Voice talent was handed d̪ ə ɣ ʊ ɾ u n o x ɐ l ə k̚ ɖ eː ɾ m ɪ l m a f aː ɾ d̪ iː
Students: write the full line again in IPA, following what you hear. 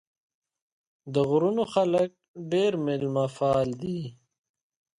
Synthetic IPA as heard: d̪ ə ɣ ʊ ɾ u n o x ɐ l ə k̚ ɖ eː ɾ m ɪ l m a f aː l d̪ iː